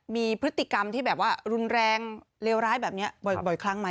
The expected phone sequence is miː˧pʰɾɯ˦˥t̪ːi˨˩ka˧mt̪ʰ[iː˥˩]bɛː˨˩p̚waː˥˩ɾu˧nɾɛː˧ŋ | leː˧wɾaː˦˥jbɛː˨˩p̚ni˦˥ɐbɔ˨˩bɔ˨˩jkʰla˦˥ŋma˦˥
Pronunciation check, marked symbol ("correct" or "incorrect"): correct